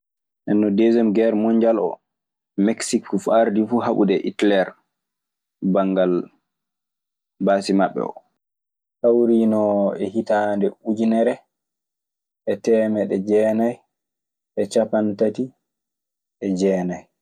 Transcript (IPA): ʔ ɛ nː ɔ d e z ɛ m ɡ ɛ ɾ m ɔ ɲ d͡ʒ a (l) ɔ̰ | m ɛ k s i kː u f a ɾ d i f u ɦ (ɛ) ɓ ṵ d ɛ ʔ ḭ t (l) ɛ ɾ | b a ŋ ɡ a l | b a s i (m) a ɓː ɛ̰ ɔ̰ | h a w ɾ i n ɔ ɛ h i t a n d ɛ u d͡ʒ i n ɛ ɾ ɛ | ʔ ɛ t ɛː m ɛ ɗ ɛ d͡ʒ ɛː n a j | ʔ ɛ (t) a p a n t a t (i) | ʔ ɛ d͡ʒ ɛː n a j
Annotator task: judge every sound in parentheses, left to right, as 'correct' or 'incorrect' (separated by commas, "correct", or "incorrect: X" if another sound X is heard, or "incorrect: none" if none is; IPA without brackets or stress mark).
correct, incorrect: a, correct, correct, incorrect: t͡ʃ, correct